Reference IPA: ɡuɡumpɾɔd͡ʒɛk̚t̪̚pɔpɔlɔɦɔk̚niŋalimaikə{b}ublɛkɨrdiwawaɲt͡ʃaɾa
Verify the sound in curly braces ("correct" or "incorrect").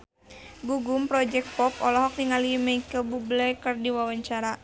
correct